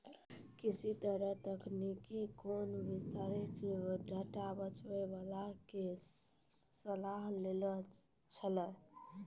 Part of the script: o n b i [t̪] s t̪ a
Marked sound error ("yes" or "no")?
yes